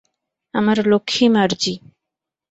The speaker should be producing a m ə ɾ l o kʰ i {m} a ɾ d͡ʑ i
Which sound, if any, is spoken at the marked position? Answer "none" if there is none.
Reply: m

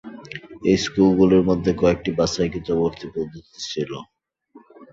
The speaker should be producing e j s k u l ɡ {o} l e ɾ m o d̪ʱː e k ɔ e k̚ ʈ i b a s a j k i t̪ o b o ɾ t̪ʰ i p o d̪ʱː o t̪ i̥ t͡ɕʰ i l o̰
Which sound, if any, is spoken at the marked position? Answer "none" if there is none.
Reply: u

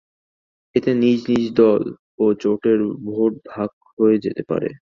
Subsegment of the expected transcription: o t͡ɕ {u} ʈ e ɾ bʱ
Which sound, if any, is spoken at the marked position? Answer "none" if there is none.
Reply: o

